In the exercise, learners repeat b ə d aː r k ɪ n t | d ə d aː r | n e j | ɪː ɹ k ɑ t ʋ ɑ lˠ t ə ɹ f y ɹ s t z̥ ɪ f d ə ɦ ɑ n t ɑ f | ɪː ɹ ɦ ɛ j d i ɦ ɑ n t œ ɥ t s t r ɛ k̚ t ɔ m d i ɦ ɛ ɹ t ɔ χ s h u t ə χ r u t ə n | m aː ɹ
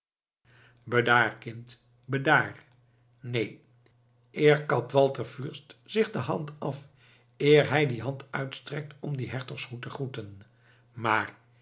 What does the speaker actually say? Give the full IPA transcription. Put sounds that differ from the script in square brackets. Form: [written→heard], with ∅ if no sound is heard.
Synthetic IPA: b ə d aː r k ɪ n t | [d→b] ə d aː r | n e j | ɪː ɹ k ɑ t ʋ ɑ lˠ t ə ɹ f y ɹ s t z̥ ɪ [f→χ] d ə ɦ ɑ n t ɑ f | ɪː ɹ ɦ ɛ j d i ɦ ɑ n t œ ɥ t s t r ɛ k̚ t ɔ m d i ɦ ɛ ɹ t ɔ χ s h u t ə χ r u t ə n | m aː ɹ

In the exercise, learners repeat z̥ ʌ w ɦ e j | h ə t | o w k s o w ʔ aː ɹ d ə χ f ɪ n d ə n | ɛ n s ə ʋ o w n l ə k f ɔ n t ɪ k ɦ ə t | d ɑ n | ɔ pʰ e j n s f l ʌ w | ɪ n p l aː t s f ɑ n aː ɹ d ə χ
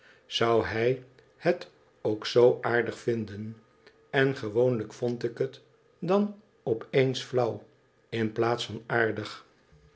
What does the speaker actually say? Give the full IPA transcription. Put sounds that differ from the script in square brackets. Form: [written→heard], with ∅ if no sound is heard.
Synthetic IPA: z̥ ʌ w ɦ [e→ɛ] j | h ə t | o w k s o w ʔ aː ɹ d ə χ f ɪ n d ə n | ɛ n [s→χ] ə ʋ o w n l ə k f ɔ n t ɪ k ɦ ə t | d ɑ n | ɔ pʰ e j n s f l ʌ w | ɪ n p l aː t s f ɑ n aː ɹ d ə χ

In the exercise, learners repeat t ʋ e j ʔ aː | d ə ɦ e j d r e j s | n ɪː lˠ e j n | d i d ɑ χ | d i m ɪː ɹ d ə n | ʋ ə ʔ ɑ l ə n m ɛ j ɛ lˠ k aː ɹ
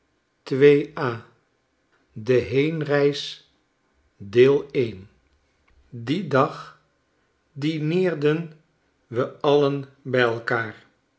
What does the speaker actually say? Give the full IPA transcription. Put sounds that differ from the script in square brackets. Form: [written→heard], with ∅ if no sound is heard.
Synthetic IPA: t ʋ e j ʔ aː | d ə ɦ e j [d→n] r [e→ɛ] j s | [n→d] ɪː lˠ e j n | d i d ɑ χ | d i [m→n] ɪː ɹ d ə n | ʋ ə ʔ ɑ l ə n [m→b] ɛ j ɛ lˠ k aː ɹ

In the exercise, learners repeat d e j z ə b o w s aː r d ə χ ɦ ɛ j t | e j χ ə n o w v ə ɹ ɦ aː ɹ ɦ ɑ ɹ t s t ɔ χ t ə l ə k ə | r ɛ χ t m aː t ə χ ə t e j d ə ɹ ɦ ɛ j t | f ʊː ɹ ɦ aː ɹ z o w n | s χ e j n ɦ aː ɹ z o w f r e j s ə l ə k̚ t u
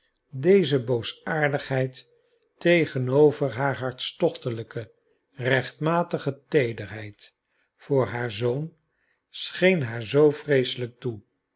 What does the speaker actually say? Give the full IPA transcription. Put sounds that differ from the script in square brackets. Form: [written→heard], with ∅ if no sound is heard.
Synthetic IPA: d e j z ə b o w s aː [r→ɹ] d ə χ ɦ ɛ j t | e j χ ə n o w v ə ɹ ɦ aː ɹ ɦ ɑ ɹ t s t ɔ χ t ə l ə k ə | r ɛ χ t m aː t ə χ ə t e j d ə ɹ ɦ ɛ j t | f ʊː ɹ ɦ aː ɹ z o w n | s χ e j n ɦ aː ɹ z o w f r e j s ə l ə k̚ t u

